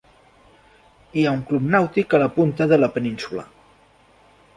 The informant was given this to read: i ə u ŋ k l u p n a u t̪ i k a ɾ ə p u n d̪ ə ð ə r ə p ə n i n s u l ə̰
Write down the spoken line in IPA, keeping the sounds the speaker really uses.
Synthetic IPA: i a u ŋ k l u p n a w t̪ i k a l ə p u n t̪ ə ð ə l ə p ə n i n s u l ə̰